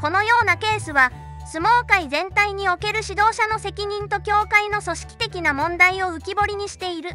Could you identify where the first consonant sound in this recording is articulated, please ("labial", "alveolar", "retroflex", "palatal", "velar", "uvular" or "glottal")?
velar